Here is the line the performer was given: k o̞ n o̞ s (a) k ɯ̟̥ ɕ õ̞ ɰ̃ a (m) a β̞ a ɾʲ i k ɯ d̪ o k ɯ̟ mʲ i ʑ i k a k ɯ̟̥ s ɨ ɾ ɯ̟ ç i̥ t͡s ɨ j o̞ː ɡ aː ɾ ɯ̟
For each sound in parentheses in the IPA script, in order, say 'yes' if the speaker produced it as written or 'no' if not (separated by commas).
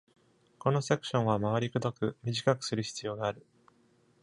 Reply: no, yes